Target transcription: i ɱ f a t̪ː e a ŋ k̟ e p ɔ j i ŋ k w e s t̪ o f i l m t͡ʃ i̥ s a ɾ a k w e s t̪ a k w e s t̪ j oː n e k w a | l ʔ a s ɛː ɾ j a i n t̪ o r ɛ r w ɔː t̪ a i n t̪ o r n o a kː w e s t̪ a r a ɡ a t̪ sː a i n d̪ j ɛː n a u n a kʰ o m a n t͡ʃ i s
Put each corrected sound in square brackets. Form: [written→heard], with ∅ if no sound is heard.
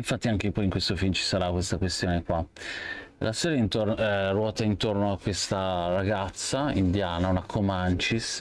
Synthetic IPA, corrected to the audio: i ɱ f a t̪ː [e→i] a ŋ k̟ e p ɔ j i ŋ k w e s t̪ o f i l m t͡ʃ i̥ s a ɾ a k w e s t̪ a k w e s t̪ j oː n e k w a | l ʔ a s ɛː ɾ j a i n t̪ o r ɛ r w ɔː t̪ a i n t̪ o r n o a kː w e s t̪ a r a ɡ a t̪ sː a i n d̪ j [ɛː→aː] n a u n a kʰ o m a n t͡ʃ i s